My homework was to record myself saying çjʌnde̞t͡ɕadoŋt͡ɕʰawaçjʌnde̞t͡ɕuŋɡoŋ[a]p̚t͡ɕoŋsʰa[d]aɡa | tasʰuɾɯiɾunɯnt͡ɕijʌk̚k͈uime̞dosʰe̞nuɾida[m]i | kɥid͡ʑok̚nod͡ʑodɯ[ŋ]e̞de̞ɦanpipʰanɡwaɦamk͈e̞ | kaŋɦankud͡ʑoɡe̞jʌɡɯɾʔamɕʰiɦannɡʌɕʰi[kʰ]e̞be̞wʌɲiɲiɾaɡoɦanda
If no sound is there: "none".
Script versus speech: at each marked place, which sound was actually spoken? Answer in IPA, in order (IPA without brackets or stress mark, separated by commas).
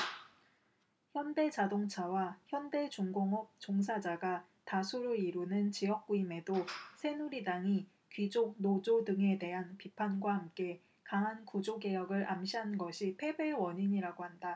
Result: ʌ, d͡ʑ, ŋ, ŋ, pʰ